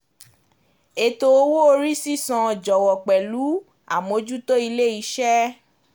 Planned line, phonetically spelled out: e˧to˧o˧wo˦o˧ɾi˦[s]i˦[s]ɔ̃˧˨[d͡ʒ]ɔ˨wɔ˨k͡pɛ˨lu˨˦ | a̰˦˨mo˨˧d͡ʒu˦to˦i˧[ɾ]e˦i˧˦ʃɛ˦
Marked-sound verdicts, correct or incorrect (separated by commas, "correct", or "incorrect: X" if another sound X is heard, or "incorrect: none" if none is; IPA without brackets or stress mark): correct, correct, correct, incorrect: l